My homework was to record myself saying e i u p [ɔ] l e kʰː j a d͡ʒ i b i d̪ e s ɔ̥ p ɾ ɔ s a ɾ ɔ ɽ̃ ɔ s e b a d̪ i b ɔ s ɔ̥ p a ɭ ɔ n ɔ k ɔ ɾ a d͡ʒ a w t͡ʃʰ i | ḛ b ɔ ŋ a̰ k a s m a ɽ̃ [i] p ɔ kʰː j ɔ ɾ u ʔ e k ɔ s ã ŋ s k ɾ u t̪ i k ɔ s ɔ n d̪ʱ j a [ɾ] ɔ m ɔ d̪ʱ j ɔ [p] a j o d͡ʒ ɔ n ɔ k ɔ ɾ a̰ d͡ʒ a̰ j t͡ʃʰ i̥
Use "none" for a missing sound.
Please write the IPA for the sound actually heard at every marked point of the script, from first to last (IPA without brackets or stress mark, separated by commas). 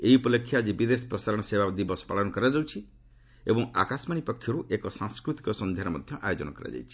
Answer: ɔ, i, ɾ, ʔ